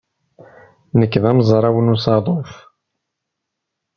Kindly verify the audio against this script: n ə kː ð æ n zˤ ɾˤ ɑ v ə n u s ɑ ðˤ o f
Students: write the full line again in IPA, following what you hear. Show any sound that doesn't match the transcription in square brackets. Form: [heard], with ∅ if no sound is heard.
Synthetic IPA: n ə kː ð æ [m] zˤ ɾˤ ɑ [w] ə n u s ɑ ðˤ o f